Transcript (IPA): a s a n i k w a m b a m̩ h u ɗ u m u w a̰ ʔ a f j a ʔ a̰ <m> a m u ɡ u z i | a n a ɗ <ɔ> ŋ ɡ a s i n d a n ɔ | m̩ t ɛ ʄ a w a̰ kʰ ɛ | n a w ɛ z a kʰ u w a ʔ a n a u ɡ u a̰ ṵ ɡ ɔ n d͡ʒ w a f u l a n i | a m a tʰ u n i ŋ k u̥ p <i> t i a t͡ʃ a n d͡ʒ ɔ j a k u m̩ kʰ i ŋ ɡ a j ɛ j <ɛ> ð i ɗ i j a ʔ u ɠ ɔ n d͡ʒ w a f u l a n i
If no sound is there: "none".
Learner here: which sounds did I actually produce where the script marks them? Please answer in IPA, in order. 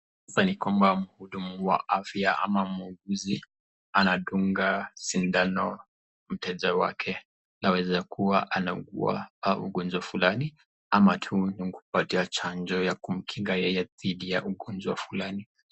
m, u, a, ɛ

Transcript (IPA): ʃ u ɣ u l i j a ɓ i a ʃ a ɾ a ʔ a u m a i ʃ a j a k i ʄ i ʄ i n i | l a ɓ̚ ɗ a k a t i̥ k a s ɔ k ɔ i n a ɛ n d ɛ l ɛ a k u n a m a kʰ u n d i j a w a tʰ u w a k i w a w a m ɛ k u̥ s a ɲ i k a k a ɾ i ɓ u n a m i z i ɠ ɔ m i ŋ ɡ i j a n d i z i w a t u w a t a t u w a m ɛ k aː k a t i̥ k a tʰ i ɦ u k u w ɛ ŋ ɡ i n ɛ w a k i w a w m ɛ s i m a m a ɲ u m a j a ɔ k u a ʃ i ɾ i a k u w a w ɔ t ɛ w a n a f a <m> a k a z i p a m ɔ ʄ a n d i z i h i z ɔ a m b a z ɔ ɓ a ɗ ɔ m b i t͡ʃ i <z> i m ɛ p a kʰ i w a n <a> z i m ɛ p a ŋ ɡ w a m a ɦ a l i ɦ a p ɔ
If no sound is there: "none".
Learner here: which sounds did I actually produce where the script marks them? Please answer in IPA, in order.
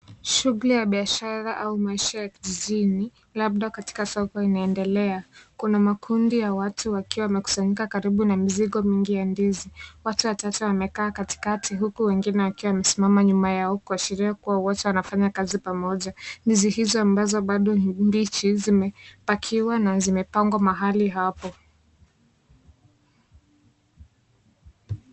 ɲ, z, a

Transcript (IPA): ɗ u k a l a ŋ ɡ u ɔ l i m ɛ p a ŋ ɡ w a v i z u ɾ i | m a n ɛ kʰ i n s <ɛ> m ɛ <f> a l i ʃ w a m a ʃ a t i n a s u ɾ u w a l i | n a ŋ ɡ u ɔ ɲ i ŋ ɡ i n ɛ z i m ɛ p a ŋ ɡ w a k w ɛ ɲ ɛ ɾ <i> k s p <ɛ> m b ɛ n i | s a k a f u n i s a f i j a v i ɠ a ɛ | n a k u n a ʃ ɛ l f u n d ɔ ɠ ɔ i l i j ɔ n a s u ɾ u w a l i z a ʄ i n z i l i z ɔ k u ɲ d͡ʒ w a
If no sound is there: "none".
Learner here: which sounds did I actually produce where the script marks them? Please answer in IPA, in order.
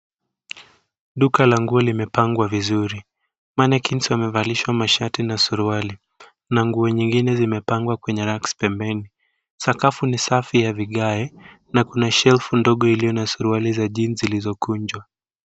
a, v, a, ɛ

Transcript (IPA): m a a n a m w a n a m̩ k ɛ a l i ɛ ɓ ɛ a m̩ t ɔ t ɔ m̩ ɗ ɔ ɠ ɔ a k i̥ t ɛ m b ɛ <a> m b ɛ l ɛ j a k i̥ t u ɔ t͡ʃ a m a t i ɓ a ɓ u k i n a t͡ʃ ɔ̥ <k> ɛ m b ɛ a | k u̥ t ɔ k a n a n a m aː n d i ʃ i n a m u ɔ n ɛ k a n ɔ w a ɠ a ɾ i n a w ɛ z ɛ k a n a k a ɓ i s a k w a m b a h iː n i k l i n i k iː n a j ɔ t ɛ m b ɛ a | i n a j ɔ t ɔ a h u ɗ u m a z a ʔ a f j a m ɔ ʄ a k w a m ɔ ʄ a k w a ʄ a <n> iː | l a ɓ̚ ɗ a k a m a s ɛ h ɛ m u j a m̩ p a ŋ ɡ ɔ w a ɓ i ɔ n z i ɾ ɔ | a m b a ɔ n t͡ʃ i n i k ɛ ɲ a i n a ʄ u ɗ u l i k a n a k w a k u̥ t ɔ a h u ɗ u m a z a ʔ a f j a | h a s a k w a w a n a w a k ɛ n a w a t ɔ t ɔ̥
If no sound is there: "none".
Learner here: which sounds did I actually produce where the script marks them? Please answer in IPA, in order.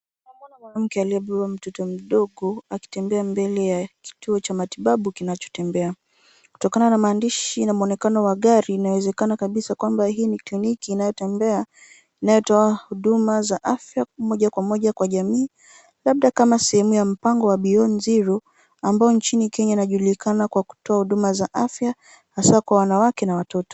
a, t, m

